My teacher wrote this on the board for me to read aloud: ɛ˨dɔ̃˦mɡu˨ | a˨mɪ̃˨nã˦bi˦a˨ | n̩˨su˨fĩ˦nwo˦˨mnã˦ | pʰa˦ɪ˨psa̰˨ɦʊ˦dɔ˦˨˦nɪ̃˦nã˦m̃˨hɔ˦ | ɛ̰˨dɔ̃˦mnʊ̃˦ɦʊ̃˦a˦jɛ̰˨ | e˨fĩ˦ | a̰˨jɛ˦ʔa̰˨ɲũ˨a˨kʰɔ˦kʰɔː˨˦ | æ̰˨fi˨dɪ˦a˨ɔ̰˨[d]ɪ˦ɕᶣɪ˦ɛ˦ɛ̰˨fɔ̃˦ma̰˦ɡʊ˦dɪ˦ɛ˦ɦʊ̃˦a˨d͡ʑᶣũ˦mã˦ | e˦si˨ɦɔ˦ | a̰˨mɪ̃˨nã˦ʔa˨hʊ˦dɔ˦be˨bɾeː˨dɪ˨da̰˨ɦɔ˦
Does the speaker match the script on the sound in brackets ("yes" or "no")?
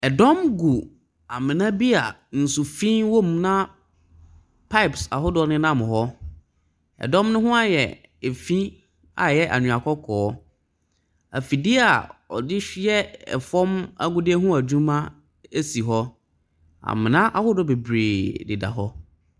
yes